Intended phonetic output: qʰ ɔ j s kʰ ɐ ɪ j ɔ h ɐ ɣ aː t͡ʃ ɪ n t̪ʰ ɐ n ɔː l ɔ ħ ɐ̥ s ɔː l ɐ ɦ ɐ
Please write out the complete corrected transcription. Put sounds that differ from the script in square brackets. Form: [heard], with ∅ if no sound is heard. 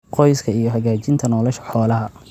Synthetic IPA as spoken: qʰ ɔ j s kʰ ɐ [i] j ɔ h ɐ ɣ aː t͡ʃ ɪ n t̪ʰ ɐ n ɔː l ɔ [ʃ] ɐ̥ [ħ] ɔː l ɐ ɦ ɐ